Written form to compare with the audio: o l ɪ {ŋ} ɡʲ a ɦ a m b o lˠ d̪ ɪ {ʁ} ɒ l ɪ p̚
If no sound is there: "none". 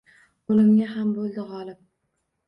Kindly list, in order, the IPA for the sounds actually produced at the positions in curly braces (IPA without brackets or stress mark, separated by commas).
m, ʁ